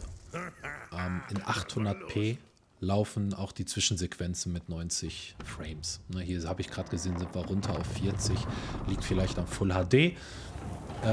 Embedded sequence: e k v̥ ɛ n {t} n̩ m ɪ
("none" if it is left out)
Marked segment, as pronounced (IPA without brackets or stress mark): t͡s